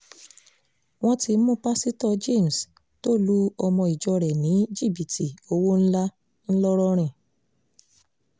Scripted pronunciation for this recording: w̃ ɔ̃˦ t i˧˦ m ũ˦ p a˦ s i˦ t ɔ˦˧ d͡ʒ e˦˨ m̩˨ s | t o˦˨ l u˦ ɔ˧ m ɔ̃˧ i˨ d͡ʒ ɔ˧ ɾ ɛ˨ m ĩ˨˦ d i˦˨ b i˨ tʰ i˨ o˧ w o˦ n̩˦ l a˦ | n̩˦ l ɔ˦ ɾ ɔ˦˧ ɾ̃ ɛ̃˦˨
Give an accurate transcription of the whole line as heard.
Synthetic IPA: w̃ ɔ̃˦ t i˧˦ m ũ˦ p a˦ s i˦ t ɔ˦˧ d͡ʒ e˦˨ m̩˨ s | t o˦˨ l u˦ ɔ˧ m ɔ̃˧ i˨ d͡ʒ ɔ˧ ɾ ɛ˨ n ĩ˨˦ d͡ʒ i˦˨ b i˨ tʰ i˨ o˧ w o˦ n̩˦ l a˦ | n̩˦ l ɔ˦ ɾ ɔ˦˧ ɾ̃ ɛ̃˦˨